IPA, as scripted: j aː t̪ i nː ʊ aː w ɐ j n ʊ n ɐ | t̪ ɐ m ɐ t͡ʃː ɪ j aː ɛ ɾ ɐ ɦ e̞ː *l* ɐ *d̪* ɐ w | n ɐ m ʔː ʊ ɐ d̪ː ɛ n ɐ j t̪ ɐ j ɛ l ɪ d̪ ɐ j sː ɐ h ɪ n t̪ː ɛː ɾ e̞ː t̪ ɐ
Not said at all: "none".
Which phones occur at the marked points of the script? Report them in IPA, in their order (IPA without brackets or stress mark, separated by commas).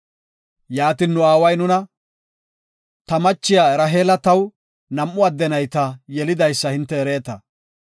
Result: l, t̪